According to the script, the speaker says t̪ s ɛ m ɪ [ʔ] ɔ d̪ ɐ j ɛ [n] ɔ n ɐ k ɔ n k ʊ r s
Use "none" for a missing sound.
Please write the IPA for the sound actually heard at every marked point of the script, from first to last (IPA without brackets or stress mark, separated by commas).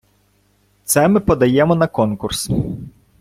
p, m